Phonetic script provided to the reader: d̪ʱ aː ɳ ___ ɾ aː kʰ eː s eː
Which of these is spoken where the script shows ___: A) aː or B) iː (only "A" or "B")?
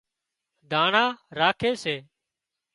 A